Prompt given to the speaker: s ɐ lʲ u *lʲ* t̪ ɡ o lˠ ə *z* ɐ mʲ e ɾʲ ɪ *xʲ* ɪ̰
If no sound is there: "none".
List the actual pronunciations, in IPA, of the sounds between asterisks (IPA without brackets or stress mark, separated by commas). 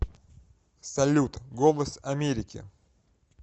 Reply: none, s, kʲ